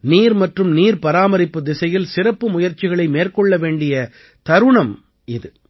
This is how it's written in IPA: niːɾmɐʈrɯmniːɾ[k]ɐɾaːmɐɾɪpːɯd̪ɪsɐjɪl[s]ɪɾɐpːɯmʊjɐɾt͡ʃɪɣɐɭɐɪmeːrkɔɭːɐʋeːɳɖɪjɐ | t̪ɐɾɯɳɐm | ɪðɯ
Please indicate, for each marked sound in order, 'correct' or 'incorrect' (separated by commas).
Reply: incorrect, correct